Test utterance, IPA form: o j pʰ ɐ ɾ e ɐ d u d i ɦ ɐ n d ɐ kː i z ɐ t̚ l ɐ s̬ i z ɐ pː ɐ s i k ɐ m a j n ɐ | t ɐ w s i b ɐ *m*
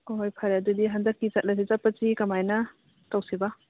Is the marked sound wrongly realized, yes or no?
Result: yes